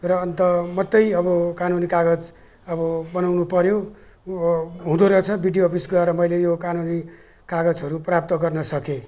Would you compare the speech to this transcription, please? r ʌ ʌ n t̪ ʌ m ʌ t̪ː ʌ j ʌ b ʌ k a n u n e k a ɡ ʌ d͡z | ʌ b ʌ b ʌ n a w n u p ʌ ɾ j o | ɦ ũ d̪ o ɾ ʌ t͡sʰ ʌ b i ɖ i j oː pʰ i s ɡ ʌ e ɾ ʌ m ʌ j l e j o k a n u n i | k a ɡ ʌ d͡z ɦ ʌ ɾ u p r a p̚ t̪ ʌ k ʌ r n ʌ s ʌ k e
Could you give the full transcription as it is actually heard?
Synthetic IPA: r ʌ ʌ n t̪ ʌ m ʌ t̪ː ʌ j ʌ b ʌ k a n u n i k a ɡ ʌ d͡z | ʌ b ʌ b ʌ n a w n u p ʌ ɾ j o | ɦ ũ d̪ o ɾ ʌ t͡sʰ ʌ b i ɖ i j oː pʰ i s ɡ ʌ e ɾ ʌ m ʌ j l e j o k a n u n i | k a ɡ ʌ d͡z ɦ ʌ ɾ u p r a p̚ t̪ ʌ ɡ ʌ r n ʌ s ʌ k e